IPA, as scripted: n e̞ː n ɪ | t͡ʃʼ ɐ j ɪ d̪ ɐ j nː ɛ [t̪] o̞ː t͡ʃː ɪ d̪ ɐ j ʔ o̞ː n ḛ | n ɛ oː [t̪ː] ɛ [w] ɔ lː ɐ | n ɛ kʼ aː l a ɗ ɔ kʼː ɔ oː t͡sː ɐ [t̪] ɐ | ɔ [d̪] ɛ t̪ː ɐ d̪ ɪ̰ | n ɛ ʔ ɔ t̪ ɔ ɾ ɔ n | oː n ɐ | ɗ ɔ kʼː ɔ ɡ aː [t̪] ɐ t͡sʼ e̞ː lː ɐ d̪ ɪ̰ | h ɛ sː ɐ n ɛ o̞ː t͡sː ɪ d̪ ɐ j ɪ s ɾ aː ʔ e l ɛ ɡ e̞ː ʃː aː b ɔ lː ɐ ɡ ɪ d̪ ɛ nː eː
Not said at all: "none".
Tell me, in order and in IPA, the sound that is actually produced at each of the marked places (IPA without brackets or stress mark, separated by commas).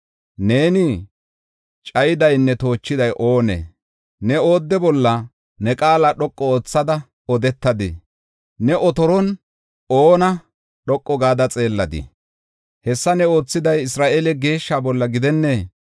t̪, d̪ː, b, d̪, d̪, d̪